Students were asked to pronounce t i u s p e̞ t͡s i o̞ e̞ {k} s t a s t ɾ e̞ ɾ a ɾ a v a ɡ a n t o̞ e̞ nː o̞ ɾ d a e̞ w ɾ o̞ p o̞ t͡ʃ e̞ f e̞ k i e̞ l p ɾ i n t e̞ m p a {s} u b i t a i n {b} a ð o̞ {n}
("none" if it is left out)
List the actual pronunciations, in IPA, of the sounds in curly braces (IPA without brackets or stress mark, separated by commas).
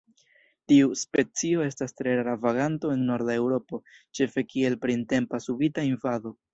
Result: none, s, v, none